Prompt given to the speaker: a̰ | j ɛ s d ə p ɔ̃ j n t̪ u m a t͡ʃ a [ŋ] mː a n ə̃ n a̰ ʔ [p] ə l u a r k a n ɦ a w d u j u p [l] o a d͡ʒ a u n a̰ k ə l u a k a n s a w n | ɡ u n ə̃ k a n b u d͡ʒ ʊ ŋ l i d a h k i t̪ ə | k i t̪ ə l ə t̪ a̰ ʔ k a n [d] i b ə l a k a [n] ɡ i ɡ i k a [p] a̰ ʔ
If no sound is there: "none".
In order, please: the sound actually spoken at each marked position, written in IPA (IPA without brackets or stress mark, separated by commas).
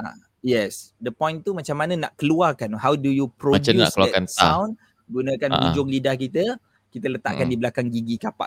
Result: none, k, ɾ, d, ŋ, p